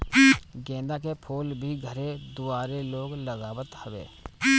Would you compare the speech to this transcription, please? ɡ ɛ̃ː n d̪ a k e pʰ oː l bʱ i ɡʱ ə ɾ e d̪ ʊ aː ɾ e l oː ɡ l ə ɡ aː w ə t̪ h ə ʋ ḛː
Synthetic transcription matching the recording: ɡ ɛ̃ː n d̪ a k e pʰ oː l bʱ i ɡʱ ə ɾ e d̪ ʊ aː ɾ e l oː ɡ l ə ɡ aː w ə t̪ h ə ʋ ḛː

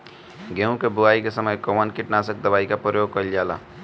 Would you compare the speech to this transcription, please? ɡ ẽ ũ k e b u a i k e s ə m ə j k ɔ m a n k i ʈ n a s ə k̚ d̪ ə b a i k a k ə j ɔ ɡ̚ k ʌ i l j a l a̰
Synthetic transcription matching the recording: ɡ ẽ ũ k e b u a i k e s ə m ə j k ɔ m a n k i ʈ n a s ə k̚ d̪ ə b a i k a p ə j o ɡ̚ k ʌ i l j a l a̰

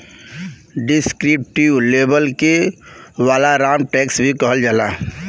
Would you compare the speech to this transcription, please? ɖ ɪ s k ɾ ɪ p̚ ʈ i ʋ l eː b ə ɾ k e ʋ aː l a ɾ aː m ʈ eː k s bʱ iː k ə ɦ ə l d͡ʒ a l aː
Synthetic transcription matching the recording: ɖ ɪ s k ɾ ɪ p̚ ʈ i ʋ l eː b ə l k e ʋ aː l a ɾ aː m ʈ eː k s bʱ i k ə ɦ ə l d͡ʒ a l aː

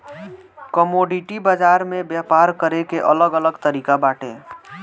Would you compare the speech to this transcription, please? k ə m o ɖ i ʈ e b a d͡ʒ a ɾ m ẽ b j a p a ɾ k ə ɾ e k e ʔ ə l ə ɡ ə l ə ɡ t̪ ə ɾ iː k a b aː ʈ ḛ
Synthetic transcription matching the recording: k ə m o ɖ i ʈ i b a d͡ʒ a ɾ m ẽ b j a p a ɾ k ə ɾ e k e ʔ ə l ə ɡ ə l ə ɡ t̪ ə ɾ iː k a b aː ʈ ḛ

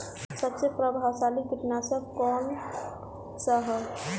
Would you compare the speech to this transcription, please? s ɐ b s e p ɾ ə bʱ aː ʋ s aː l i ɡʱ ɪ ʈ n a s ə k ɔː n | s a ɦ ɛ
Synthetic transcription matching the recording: s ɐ b s e p ɾ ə bʱ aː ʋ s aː l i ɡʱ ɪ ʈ n a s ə k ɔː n | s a ɦ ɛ

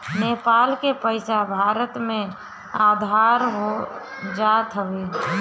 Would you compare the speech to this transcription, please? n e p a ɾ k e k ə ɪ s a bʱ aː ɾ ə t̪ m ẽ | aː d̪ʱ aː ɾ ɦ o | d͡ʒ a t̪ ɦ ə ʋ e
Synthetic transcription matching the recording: n e p a l k e p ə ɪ s a bʱ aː ɾ ə t̪ m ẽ | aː d̪ʱ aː ɾ ɦ o | d͡ʒ a t̪ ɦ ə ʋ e

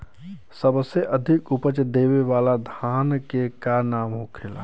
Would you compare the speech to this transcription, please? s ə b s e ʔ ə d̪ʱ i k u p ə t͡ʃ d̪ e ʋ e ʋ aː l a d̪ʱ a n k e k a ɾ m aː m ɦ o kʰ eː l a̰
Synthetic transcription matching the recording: s ə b s e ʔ ə d̪ʱ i k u p ə t͡ʃ d̪ e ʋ e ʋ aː l a d̪ʱ a n k e k a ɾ n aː m ɦ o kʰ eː l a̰

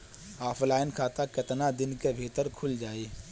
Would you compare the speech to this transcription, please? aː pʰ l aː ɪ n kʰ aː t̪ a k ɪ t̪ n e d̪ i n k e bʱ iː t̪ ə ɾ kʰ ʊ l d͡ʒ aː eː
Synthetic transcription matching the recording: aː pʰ l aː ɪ n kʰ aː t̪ a k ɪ t̪ n a d̪ ɪ n k e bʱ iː t̪ ə ɾ kʰ ʊ l d͡ʒ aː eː

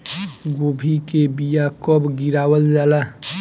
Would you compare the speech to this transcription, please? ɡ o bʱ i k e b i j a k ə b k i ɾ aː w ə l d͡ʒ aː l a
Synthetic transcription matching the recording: ɡ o bʱ i k e b i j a k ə b ɡ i ɾ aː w ə l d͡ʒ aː l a

